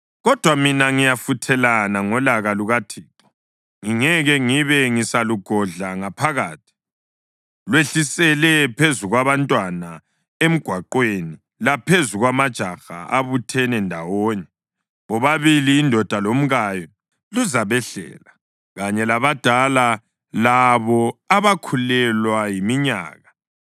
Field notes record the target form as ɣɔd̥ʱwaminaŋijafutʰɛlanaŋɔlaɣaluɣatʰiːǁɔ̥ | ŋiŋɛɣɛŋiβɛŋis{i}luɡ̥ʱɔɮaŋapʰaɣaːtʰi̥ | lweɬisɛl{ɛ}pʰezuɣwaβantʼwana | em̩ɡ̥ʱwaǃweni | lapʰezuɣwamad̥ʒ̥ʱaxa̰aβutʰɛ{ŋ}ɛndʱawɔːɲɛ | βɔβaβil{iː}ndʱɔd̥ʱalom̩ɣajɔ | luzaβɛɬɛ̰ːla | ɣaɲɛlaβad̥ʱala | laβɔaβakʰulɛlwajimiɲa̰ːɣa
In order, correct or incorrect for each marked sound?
incorrect: a, correct, incorrect: n, correct

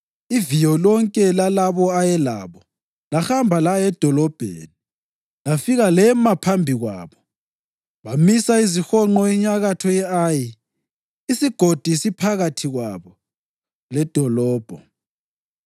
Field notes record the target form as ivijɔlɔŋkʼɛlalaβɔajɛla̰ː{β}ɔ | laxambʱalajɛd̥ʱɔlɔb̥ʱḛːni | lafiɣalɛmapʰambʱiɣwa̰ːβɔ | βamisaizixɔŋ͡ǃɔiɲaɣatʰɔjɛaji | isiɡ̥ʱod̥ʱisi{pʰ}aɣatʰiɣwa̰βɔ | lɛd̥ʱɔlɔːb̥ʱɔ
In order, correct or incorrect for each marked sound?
correct, correct

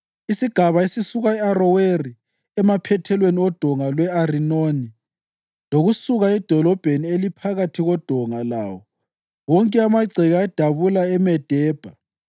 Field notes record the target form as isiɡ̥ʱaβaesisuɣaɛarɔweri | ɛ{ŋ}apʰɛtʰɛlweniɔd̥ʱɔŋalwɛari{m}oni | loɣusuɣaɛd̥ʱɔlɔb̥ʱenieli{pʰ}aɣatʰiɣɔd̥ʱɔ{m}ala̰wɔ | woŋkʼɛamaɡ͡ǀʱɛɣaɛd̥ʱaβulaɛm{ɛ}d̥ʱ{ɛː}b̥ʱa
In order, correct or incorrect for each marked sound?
incorrect: m, incorrect: n, correct, incorrect: ŋ, correct, correct

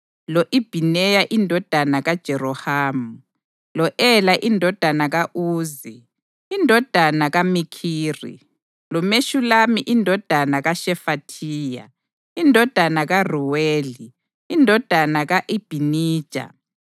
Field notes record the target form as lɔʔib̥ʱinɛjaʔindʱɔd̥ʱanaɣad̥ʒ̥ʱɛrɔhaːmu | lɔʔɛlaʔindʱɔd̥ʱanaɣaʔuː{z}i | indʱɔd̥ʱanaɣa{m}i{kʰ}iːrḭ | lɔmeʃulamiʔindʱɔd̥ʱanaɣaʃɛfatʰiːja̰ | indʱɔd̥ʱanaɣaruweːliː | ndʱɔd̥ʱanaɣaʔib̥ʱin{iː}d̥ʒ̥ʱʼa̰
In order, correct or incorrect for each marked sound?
correct, correct, correct, correct

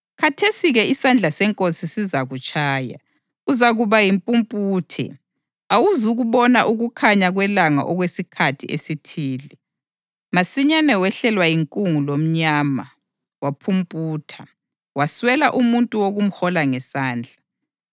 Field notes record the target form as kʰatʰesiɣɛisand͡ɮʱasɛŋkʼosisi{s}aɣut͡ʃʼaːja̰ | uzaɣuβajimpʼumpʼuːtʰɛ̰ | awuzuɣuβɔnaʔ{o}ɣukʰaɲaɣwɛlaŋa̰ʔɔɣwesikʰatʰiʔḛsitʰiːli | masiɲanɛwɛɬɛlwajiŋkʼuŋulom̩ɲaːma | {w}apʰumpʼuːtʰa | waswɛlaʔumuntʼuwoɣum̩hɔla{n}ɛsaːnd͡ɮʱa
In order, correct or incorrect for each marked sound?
incorrect: z, incorrect: u, correct, incorrect: ŋ

